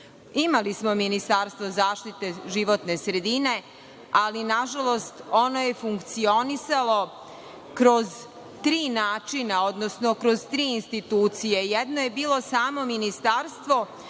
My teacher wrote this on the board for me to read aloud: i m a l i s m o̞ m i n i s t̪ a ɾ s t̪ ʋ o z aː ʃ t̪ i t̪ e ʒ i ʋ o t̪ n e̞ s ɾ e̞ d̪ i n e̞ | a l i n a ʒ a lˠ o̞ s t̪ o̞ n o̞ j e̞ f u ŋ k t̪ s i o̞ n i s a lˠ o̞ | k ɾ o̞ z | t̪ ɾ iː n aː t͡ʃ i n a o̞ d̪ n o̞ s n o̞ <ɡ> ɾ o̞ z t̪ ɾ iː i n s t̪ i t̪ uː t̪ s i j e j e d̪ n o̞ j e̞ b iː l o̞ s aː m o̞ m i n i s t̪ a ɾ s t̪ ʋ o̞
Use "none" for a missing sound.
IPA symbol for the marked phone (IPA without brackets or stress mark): k